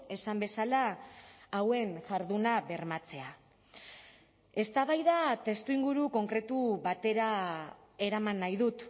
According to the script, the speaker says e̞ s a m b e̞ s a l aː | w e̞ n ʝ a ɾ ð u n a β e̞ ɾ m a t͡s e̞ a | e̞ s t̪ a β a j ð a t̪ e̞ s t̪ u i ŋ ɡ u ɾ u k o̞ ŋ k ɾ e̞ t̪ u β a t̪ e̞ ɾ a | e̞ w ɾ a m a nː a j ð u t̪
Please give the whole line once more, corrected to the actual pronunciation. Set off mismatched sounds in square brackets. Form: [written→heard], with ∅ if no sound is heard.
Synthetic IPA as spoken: e̞ s a m b e̞ s a l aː | w e̞ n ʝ a ɾ ð u n a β e̞ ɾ m a t͡s e̞ a | e̞ s t̪ a β a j ð a t̪ e̞ s t̪ u i ŋ ɡ u ɾ u k o̞ ŋ k ɾ e̞ t̪ u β a t̪ e̞ ɾ a | e̞ [w→∅] ɾ a m a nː a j ð u t̪

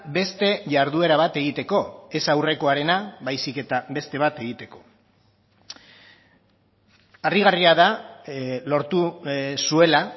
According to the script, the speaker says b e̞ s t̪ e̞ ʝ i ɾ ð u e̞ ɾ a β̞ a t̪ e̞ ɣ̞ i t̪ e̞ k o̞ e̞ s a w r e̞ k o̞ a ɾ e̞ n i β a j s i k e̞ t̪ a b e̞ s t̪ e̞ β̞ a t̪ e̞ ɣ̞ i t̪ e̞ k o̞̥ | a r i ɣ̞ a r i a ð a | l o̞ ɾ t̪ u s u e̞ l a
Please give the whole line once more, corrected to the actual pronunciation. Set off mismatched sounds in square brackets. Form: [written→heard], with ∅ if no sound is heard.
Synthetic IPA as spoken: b e̞ s t̪ e̞ ʝ [i→a] ɾ ð u e̞ ɾ a β̞ a t̪ e̞ ɣ̞ i t̪ e̞ k o̞ e̞ s a w r e̞ k o̞ a ɾ e̞ n [i→a] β a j s i k e̞ t̪ a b e̞ s t̪ e̞ β̞ a t̪ e̞ ɣ̞ i t̪ e̞ k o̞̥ | a r i ɣ̞ a r i a ð a | l o̞ ɾ t̪ u s u e̞ l a

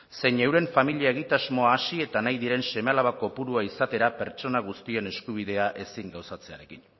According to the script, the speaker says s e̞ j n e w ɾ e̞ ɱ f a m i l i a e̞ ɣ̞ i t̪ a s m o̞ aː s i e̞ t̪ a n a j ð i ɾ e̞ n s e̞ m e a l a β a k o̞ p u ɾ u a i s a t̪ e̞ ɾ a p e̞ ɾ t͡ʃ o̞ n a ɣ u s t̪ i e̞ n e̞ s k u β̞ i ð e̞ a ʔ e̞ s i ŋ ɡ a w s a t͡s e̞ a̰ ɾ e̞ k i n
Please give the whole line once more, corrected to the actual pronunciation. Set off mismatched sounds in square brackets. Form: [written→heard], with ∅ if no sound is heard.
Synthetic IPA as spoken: s e̞ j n e w ɾ e̞ ɱ f a m i l i a e̞ ɣ̞ i t̪ a [s→z] m o̞ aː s i e̞ t̪ a n a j ð i ɾ e̞ n s e̞ m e a l a β a k o̞ p u ɾ u a i s a t̪ e̞ ɾ a p e̞ ɾ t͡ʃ o̞ n a ɣ u s t̪ i e̞ n e̞ s k u β̞ i ð e̞ a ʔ e̞ s i ŋ ɡ a w s a t͡s e̞ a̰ ɾ e̞ k i n

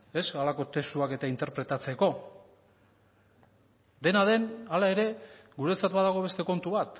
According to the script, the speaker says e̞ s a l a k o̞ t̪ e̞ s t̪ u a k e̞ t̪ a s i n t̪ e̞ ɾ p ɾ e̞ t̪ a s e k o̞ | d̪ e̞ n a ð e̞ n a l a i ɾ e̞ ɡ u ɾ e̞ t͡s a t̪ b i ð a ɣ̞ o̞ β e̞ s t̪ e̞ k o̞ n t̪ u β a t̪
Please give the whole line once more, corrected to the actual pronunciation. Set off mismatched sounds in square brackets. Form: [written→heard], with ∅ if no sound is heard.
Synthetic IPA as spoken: e̞ s a l a k o̞ t̪ e̞ s t̪ u a k e̞ t̪ a [s→∅] i n t̪ e̞ ɾ p ɾ e̞ t̪ a [s→t͡s] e k o̞ | d̪ e̞ n a ð e̞ n a l a [i→e] ɾ e̞ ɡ u ɾ e̞ t͡s a t̪ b [i→a] ð a ɣ̞ o̞ β e̞ s t̪ e̞ k o̞ n t̪ u β a t̪

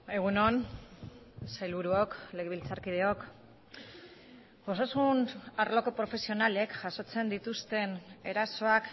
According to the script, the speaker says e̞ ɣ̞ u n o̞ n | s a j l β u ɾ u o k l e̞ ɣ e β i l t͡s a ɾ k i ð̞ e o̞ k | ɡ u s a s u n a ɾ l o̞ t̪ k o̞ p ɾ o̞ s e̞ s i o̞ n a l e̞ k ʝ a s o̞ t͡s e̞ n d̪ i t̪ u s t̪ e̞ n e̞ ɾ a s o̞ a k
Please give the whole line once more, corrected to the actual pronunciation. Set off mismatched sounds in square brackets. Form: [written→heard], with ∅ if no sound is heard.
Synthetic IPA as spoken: e̞ ɣ̞ u n o̞ n | s a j l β u ɾ u o k l e̞ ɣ e β i l t͡s a ɾ k i ð̞ e o̞ k | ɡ [u→o] s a s u n a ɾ l o̞ [t̪→∅] k o̞ p ɾ o̞ [s→f] e̞ s i o̞ n a l e̞ k ʝ a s o̞ t͡s e̞ n d̪ i t̪ u s t̪ e̞ n e̞ ɾ a s o̞ a k

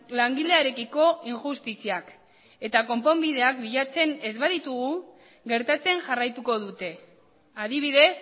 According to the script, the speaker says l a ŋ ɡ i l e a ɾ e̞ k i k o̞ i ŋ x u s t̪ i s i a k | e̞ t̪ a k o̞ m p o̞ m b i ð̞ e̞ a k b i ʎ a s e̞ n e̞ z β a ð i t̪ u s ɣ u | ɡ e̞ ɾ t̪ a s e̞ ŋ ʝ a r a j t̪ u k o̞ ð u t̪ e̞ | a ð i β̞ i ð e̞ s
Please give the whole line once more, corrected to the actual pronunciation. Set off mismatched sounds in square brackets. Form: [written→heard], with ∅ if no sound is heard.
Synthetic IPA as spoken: l a ŋ ɡ i l e a ɾ e̞ k i k o̞ i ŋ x u s t̪ i s i a k | e̞ t̪ a k o̞ m p o̞ m b i ð̞ e̞ a k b i ʎ a [s→t͡s] e̞ n e̞ z β a ð i t̪ u [s→∅] ɣ u | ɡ e̞ ɾ t̪ a [s→t͡s] e̞ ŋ ʝ a r a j t̪ u k o̞ ð u t̪ e̞ | a ð i β̞ i ð e̞ s

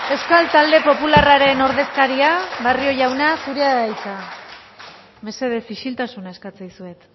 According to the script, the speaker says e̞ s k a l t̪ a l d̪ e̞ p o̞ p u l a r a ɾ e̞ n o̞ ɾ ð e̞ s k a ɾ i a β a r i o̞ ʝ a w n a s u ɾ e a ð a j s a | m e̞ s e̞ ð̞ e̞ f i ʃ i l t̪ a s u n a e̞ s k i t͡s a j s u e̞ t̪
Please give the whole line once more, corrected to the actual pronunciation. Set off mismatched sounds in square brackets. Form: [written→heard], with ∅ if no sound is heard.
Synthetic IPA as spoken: e̞ s k a l t̪ a l d̪ e̞ p o̞ p u l a r a ɾ e̞ n o̞ ɾ ð e̞ s k a ɾ i a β a r i o̞ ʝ a w n a s u ɾ e a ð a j [s→t͡s] a | m e̞ s e̞ ð̞ e̞ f i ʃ i l t̪ a s u n a e̞ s k [i→a] t͡s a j s u e̞ t̪

